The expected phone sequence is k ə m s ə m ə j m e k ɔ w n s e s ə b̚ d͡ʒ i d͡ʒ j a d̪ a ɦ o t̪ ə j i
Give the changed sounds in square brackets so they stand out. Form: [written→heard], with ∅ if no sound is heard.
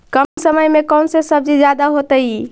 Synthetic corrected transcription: k ə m s ə m ə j m e k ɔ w n s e s ə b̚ d͡ʒ i d͡ʒ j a d̪ a ɦ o t̪ ə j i

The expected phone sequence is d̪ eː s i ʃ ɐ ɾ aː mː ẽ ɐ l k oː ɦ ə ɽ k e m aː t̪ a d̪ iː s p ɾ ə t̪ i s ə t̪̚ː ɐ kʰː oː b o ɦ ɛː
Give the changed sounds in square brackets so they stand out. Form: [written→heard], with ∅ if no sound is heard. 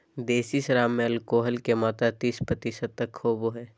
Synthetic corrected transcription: d̪ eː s i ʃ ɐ ɾ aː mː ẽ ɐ l k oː ɦ ə [ɽ→l] k e m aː t̪ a [d̪→t̪] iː s p ɾ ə t̪ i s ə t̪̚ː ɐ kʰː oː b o ɦ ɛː

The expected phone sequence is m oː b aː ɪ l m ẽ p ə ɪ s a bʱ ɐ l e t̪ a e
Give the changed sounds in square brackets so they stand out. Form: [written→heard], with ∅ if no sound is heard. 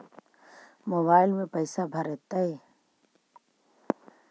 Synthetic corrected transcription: m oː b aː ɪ l m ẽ p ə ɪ s a bʱ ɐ [l→ɾ] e t̪ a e

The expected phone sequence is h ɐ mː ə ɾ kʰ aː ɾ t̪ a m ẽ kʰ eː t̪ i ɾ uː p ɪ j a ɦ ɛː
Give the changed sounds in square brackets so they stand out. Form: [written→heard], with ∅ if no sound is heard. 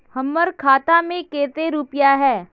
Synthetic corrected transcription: h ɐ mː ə ɾ kʰ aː [ɾ→∅] t̪ a m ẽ [kʰ→k] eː t̪ [i→e] ɾ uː p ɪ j a ɦ ɛː

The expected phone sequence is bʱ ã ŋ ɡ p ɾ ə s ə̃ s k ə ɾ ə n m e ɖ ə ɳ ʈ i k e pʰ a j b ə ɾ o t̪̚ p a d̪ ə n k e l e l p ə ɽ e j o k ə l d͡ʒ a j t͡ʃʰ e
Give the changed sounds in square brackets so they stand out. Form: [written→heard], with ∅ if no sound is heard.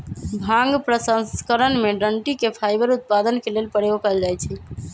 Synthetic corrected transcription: bʱ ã ŋ ɡ p ɾ ə s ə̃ s k ə ɾ ə n m e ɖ ə ɳ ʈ i k e pʰ a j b ə ɾ [o→u] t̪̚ p a d̪ ə n k e l e l p ə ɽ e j o k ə l d͡ʒ a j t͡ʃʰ [e→ɛ]

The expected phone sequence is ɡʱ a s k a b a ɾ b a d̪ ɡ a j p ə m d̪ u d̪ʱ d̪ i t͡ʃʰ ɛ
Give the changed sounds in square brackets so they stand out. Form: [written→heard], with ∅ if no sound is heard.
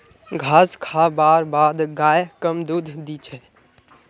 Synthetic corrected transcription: ɡʱ a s [k→kʰ] a b a ɾ b a d̪ ɡ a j [p→k] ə m d̪ u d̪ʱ d̪ i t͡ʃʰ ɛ

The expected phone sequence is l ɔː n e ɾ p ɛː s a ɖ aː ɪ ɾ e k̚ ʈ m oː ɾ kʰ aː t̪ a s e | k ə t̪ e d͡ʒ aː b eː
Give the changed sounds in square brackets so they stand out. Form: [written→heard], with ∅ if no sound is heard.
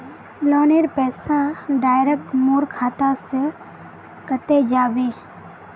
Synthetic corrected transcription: l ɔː n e ɾ p ɛː s a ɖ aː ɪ ɾ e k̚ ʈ m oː ɾ kʰ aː t̪ a s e | k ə t̪ e d͡ʒ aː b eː

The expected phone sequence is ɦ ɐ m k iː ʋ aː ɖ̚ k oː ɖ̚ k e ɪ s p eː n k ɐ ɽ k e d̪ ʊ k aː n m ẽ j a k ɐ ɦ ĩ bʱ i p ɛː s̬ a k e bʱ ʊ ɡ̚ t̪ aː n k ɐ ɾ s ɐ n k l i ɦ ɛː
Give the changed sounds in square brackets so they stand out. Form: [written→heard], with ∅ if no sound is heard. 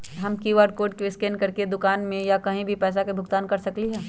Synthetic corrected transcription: ɦ ɐ m k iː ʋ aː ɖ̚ k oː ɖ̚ k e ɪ s [p→k] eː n k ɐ [ɽ→ɾ] k e d̪ ʊ k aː n m ẽ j a k ɐ ɦ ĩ bʱ i p ɛː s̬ a k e bʱ ʊ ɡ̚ t̪ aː n k ɐ ɾ s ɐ [n→∅] k l i ɦ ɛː

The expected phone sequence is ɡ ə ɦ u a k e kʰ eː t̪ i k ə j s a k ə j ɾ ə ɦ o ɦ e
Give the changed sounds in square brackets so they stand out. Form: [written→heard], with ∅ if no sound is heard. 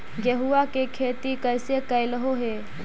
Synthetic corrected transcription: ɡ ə ɦ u a k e kʰ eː t̪ i k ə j s [a→e] k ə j [ɾ→l] ə ɦ o ɦ e

